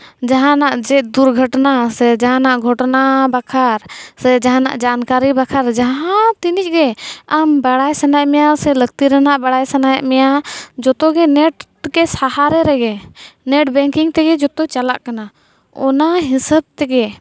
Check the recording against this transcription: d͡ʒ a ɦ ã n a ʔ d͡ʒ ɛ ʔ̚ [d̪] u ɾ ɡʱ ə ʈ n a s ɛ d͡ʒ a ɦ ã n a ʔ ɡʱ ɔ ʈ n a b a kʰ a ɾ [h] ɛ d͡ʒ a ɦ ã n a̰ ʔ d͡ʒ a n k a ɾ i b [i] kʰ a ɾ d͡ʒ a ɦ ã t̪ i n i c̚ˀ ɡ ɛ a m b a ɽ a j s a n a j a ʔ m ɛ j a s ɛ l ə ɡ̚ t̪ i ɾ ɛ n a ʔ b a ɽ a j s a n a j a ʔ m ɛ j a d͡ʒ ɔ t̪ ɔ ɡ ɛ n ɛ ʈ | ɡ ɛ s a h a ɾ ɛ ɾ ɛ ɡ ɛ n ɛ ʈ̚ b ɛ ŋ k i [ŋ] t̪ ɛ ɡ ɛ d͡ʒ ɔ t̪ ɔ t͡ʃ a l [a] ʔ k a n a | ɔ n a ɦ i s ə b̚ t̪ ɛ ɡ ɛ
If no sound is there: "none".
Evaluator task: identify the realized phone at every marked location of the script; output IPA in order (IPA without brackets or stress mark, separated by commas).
d̪, s, a, ŋ, a